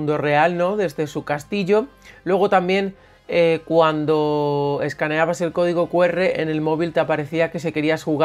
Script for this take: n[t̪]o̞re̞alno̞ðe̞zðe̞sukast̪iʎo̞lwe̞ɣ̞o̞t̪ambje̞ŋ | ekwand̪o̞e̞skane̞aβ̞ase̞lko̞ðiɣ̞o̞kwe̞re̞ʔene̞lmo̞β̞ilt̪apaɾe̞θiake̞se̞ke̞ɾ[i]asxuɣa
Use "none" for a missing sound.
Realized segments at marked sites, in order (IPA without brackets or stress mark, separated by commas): d̪, i